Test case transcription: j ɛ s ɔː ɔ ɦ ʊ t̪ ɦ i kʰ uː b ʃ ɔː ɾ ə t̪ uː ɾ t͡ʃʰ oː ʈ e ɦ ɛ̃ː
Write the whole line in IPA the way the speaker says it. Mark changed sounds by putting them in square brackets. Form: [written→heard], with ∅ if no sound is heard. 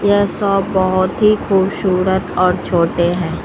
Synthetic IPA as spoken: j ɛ s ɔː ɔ ɦ ʊ t̪ ɦ i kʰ uː b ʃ [ɔː→uː] ɾ ə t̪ [uː→ɔː] ɾ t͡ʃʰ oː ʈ e ɦ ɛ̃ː